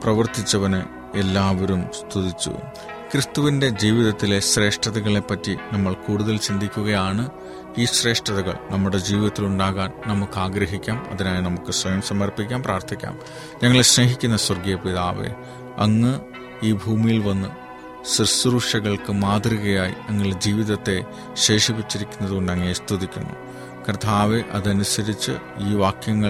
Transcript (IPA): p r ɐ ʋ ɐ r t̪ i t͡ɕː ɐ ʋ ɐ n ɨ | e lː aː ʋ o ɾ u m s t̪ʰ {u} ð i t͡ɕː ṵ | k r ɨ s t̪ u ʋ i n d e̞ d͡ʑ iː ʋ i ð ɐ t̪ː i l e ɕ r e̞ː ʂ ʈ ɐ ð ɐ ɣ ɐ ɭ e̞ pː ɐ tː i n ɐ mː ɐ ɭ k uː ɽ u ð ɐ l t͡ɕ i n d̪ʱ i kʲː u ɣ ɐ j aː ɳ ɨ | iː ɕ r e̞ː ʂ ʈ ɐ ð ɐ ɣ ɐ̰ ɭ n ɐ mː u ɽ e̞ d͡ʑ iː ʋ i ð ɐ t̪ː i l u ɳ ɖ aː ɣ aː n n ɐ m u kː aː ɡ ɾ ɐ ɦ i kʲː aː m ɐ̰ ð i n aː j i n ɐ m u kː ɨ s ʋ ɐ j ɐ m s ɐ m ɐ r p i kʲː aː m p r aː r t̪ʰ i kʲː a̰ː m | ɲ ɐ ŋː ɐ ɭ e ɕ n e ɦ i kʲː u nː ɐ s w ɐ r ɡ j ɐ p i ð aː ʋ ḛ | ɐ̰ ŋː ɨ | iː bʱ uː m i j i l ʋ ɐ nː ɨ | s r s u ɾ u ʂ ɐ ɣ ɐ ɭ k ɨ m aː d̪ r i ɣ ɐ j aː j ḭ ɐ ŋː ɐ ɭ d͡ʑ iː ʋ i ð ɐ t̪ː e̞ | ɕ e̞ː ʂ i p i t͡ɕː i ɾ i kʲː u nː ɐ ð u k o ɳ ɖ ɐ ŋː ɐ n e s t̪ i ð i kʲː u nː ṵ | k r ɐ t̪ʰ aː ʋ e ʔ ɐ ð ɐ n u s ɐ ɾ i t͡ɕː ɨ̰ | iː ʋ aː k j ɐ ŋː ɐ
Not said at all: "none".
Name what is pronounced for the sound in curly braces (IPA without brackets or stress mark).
u